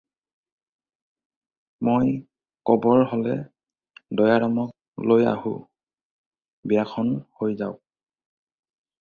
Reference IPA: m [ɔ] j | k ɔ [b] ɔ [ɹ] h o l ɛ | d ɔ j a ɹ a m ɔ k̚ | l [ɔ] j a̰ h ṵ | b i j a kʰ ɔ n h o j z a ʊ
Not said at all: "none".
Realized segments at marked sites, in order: o, b, ɹ, o

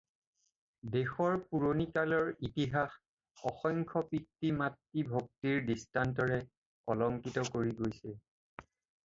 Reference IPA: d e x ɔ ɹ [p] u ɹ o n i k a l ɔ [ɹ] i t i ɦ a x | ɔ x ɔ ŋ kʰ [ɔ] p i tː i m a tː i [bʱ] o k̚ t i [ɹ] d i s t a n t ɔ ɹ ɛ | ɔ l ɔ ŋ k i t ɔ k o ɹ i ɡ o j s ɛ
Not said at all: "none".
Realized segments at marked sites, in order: p, ɹ, ɔ, bʱ, ɹ

